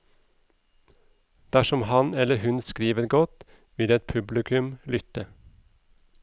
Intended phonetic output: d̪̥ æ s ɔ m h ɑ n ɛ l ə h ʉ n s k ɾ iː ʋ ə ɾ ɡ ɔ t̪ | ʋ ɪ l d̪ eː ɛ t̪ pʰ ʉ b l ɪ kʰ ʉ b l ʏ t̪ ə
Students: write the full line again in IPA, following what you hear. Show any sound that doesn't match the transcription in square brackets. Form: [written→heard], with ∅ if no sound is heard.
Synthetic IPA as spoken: d̪̥ æ [s→ʃ] ɔ m h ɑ n ɛ l ə h ʉ n s k ɾ iː ʋ ə ɾ ɡ ɔ t̪ | ʋ ɪ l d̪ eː ɛ t̪ pʰ ʉ b l ɪ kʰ ʉ [b→m] l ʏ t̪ ə